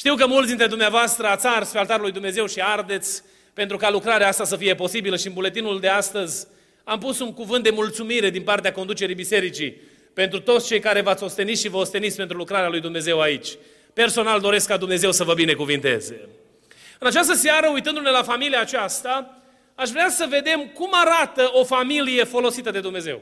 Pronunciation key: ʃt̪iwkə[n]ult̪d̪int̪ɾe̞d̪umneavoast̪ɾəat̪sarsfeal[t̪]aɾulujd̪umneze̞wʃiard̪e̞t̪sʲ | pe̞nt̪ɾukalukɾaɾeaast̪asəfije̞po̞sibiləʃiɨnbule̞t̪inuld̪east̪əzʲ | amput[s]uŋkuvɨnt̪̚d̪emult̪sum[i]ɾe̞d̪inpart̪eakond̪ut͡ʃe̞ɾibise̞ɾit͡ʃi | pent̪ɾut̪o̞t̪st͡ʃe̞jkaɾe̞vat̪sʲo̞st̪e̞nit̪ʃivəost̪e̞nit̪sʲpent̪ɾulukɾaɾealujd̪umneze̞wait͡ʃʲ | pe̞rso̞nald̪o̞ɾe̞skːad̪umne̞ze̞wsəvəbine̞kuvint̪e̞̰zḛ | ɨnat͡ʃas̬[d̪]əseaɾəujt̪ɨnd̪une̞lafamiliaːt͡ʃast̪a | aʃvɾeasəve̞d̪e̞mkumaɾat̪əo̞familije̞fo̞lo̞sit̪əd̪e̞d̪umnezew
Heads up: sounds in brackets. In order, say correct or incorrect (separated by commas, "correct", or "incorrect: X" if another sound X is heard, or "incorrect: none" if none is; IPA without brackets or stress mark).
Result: incorrect: m, correct, correct, correct, incorrect: t̪